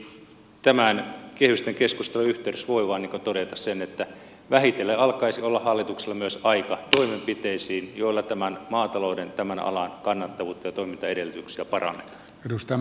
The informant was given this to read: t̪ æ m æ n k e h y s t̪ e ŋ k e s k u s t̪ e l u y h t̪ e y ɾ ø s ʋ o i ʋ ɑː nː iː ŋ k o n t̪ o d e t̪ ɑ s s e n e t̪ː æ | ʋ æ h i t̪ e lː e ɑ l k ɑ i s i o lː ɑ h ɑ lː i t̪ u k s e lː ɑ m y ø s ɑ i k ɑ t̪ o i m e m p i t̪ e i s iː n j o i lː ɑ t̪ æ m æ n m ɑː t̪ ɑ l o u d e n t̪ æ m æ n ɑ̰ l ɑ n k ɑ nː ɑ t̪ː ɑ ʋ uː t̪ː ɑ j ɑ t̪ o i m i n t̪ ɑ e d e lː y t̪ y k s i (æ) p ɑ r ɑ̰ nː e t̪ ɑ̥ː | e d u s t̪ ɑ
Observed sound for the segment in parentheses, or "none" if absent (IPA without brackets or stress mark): æ